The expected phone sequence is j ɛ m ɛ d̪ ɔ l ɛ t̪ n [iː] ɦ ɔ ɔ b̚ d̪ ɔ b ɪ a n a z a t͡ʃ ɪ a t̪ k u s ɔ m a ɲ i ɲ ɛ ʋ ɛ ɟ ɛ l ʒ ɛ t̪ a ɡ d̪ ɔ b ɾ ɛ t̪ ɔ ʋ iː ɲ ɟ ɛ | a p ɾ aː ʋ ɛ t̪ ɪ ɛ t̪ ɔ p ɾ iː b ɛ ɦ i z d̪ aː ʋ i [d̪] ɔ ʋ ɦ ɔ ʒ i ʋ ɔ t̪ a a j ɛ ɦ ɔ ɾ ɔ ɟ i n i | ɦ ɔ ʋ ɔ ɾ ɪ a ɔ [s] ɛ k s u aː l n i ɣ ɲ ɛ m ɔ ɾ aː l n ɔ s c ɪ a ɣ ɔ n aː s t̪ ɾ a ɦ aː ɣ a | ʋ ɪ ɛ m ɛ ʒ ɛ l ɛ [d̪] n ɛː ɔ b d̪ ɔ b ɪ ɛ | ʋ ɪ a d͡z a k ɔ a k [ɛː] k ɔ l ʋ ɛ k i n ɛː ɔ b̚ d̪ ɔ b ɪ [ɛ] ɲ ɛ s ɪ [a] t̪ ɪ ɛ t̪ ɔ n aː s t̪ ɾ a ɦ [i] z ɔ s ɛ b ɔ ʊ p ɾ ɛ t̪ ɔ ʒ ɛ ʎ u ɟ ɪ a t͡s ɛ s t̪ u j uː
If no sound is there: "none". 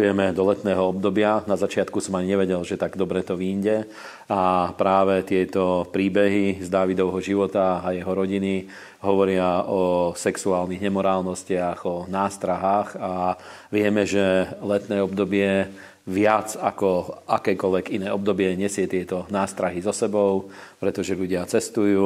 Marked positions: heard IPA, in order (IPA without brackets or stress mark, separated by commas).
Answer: ɛː, d̪, s, t̪, ɛː, ɛ, ɛ, i